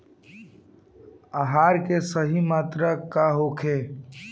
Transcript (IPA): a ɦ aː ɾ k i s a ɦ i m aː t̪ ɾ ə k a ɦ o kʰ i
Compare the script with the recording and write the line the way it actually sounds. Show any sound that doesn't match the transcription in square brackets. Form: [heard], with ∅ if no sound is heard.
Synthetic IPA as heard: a ɦ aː ɾ k [e] s [ə] ɦ i m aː t̪ ɾ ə k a ɦ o kʰ [e]